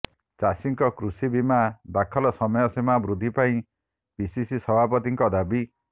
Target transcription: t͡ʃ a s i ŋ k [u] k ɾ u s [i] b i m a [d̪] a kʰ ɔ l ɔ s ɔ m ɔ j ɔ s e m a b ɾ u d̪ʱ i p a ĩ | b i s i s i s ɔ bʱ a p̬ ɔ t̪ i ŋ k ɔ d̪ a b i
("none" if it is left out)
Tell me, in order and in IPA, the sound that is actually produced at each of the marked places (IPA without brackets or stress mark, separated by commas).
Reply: ɔ, i, d̪